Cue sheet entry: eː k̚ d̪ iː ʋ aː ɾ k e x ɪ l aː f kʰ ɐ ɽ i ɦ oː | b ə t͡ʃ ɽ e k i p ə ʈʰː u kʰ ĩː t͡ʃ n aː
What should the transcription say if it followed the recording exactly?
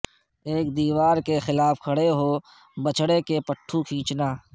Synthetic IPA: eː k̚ d̪ iː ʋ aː ɾ k e x ɪ l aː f kʰ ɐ ɽ e ɦ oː | b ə t͡ʃ ɽ e k e p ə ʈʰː u kʰ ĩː t͡ʃ n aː